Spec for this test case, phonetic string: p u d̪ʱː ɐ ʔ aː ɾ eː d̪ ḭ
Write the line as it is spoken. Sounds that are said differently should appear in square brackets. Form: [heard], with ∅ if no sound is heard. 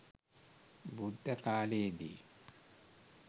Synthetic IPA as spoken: [b] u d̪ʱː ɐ [k] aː [l] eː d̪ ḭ